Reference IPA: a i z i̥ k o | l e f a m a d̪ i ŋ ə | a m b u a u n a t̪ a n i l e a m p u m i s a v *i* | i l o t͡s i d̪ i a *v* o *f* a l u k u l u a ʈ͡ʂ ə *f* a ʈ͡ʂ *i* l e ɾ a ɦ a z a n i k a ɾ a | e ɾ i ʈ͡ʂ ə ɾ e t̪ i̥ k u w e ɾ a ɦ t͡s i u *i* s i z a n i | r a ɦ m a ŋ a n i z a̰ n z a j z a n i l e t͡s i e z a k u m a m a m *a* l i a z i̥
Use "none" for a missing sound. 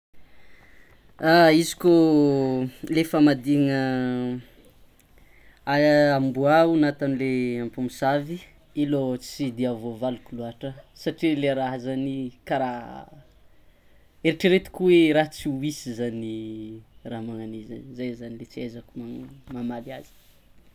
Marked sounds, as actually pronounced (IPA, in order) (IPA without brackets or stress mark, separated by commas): i, v, v, s, i, i, a